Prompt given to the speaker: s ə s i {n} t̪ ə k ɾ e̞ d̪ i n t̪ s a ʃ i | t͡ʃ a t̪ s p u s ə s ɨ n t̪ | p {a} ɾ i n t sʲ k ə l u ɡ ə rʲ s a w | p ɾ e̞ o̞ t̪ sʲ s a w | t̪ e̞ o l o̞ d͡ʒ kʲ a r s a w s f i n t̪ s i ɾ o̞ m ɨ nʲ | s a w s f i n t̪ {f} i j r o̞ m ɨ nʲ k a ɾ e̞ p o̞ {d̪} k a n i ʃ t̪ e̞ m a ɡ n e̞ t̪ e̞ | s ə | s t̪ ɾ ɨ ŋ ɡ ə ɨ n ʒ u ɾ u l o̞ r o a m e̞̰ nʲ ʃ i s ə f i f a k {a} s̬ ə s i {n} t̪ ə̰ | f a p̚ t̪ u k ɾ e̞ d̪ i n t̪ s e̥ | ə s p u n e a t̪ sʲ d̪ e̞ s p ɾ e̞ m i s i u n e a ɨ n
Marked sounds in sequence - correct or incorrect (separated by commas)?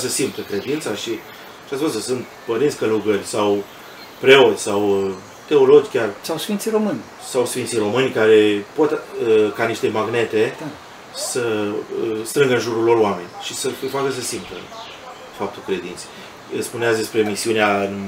incorrect, incorrect, incorrect, incorrect, incorrect, incorrect